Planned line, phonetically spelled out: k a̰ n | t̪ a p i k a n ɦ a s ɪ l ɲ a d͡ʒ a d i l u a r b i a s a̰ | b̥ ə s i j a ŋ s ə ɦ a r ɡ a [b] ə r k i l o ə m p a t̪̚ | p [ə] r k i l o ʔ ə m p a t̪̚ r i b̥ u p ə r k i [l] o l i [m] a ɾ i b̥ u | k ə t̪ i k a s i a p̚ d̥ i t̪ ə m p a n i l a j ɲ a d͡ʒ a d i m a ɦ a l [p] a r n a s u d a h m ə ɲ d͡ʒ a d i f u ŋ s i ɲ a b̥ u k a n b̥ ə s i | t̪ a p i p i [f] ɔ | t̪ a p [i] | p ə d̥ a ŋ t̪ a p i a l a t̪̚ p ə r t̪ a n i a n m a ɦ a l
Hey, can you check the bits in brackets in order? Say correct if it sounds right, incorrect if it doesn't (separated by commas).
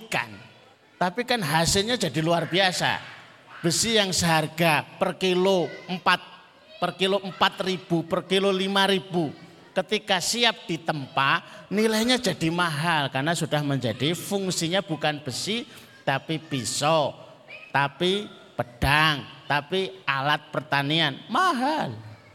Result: incorrect, correct, correct, correct, incorrect, incorrect, correct